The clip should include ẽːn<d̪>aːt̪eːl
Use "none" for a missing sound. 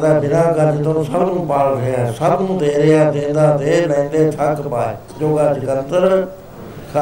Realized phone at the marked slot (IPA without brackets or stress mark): d̪